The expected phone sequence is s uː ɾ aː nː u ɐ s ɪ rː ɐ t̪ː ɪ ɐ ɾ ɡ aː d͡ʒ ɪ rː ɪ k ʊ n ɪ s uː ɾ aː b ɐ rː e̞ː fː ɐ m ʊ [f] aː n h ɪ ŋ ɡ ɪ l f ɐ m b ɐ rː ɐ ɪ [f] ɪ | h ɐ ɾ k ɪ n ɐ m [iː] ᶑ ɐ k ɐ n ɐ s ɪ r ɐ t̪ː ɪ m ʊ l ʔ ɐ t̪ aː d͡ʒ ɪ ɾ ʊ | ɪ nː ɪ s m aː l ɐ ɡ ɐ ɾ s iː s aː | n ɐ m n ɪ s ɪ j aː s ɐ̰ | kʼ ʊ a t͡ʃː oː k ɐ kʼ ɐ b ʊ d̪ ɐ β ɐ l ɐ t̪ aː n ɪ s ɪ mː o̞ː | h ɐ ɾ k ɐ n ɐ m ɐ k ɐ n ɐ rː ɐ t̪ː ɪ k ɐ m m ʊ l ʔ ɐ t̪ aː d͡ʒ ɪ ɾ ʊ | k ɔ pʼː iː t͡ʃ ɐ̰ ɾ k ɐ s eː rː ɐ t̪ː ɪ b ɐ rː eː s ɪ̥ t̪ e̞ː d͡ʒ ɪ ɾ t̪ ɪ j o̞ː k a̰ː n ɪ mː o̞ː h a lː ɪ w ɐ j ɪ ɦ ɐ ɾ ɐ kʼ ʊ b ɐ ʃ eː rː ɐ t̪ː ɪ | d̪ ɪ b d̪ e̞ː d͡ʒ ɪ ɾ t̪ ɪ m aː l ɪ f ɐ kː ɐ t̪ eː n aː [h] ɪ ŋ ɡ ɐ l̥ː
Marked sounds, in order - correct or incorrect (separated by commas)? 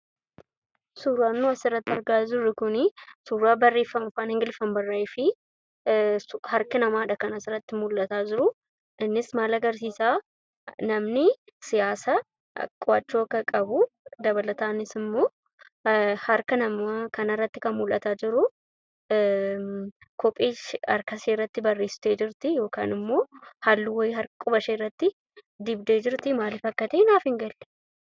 correct, correct, incorrect, incorrect